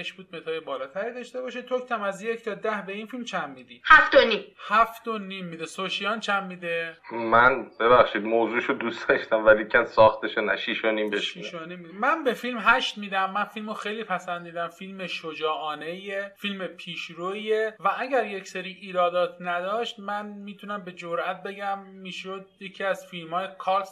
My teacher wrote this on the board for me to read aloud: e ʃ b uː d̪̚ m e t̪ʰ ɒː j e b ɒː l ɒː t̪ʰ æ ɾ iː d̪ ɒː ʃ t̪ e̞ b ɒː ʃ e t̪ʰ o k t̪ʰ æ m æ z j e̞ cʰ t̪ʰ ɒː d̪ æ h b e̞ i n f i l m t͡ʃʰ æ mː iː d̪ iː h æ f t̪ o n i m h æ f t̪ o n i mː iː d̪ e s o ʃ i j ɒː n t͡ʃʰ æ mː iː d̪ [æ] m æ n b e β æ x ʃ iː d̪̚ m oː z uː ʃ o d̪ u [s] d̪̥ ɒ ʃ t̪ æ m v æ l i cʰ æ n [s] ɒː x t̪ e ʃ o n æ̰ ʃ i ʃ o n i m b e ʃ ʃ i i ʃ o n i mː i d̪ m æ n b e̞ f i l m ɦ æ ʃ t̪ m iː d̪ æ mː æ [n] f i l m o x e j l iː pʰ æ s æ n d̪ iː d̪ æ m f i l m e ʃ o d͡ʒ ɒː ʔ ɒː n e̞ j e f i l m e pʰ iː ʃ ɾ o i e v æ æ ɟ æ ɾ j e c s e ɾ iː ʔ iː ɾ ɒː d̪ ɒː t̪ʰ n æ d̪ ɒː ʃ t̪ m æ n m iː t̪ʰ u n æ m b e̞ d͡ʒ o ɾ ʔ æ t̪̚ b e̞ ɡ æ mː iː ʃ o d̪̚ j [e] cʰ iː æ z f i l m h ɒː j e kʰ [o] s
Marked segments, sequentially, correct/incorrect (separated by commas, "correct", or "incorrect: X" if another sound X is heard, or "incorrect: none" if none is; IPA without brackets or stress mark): incorrect: e, correct, correct, correct, correct, incorrect: ɒ